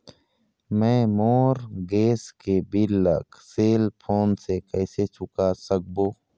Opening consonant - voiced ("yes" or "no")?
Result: yes